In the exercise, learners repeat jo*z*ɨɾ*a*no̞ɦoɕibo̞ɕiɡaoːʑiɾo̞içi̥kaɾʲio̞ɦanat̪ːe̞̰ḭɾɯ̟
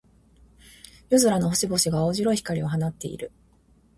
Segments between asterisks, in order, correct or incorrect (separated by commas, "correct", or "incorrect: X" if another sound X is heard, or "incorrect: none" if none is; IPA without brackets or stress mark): correct, correct